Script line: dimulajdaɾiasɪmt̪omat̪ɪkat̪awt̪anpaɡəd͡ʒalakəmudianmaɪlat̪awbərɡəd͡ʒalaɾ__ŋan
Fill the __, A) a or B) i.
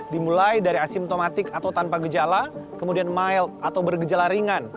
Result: B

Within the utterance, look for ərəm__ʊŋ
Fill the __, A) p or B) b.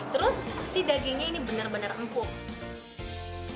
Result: A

